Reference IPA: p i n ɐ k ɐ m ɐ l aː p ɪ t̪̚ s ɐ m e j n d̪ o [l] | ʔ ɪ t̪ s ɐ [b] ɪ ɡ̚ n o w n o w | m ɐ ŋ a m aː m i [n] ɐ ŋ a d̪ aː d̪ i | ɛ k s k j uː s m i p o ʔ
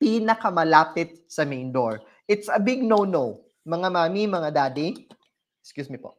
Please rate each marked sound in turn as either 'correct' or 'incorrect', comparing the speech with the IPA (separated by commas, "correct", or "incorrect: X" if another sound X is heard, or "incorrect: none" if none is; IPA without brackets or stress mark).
incorrect: ɹ, correct, incorrect: m